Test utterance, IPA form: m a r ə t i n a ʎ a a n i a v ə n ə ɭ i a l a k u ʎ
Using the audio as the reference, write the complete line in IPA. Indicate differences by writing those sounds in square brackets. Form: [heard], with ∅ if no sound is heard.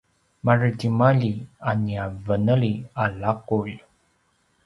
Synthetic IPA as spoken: m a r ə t i [m] a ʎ [i] a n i a v ə n ə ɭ i a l a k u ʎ